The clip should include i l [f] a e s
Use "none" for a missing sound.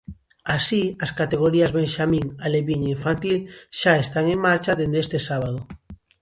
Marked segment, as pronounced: ʃ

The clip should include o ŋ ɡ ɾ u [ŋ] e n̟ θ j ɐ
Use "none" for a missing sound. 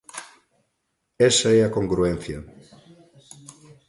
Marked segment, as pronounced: none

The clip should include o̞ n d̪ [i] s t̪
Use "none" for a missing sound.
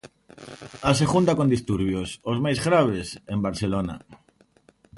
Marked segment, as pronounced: i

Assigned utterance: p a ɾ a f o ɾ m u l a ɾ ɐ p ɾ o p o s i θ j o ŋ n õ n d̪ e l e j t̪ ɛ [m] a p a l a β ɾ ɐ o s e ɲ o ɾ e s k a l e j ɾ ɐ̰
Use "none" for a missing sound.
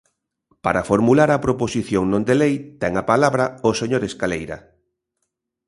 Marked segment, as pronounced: ŋ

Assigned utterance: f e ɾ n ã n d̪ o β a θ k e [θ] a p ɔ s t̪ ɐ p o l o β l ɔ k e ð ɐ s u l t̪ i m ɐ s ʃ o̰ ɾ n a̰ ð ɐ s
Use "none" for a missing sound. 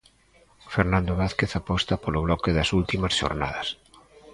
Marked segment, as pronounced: θ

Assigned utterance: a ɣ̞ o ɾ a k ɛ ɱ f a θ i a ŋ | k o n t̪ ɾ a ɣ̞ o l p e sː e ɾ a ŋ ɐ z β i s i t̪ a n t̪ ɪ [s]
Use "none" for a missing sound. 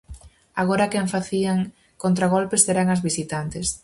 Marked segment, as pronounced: s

